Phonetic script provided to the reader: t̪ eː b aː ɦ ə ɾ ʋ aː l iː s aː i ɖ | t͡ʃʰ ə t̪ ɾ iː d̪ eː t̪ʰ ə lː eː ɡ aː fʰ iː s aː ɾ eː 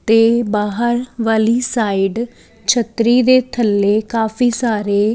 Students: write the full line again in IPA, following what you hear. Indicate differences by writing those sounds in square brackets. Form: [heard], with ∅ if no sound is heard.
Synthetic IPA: t̪ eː b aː ɦ ə ɾ ʋ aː l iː s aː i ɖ | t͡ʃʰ ə t̪ ɾ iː d̪ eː t̪ʰ ə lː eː [k] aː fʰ iː s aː ɾ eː